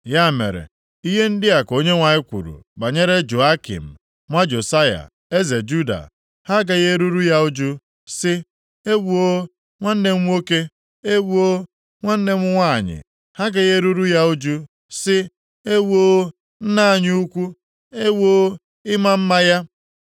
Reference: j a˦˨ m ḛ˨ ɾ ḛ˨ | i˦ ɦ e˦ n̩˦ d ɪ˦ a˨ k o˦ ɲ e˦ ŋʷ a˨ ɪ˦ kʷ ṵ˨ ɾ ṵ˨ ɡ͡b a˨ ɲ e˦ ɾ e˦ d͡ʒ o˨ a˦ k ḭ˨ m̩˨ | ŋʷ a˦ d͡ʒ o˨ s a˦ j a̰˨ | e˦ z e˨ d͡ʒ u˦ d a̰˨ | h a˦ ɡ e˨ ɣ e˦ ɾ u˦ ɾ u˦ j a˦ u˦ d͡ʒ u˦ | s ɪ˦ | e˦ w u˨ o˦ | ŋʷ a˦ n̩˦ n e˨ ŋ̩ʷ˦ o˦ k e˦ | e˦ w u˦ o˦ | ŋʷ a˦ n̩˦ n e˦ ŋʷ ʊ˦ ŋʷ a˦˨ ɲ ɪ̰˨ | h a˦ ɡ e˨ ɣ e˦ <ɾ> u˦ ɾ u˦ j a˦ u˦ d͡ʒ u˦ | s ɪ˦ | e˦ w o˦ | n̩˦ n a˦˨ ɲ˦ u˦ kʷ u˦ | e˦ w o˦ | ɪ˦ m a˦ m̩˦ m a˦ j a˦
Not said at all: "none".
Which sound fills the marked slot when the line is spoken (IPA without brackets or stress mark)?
ɾ